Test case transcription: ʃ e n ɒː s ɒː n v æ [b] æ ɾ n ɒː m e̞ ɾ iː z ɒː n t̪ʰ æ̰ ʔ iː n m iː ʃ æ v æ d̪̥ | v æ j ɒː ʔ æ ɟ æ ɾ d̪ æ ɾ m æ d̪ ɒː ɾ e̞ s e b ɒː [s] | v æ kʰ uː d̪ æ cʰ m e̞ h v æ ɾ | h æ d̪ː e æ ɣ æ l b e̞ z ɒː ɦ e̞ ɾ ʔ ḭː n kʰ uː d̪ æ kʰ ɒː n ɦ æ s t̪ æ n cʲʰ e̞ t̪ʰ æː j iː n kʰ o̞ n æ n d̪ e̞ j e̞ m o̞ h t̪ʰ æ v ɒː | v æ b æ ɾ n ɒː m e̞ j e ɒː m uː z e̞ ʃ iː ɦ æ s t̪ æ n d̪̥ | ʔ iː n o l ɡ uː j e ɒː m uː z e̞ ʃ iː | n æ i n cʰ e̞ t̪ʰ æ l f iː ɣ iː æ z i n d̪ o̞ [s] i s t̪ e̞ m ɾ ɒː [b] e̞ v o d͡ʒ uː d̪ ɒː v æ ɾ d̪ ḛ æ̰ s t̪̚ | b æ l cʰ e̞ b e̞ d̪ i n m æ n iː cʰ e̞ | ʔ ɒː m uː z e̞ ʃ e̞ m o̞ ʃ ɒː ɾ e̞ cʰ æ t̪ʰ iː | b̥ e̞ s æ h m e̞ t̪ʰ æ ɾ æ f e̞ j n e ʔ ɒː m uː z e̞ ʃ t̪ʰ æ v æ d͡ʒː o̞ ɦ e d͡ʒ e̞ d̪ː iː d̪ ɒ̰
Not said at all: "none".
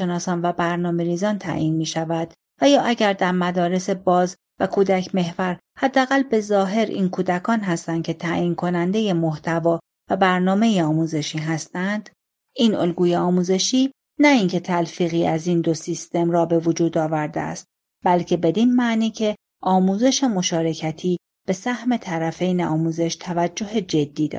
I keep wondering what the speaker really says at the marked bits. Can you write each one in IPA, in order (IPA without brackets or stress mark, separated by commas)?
b, z, s, b